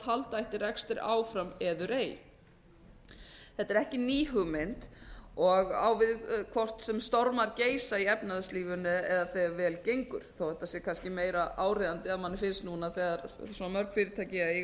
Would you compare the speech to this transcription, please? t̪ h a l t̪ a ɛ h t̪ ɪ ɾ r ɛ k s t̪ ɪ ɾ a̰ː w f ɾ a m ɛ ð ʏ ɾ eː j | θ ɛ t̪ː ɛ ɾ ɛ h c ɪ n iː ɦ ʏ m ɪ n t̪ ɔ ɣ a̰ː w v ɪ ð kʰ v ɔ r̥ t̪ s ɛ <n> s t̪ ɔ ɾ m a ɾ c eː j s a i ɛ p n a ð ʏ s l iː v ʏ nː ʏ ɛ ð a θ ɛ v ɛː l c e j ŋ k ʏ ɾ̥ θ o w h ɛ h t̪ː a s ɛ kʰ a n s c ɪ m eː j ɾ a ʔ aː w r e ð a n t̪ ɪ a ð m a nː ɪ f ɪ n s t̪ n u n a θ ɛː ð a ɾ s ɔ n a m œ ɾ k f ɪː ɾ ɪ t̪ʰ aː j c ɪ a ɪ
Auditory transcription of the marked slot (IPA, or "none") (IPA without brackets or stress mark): m